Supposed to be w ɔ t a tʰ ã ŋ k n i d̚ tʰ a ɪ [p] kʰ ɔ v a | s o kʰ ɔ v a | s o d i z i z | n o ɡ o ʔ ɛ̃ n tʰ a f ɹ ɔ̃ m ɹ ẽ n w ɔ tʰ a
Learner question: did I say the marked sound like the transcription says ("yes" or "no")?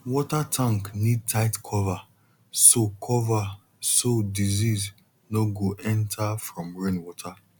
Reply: no